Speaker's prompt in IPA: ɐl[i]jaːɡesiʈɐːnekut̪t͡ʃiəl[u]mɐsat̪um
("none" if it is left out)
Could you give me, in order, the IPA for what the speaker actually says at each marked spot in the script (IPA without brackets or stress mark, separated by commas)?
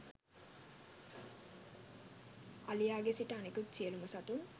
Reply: i, u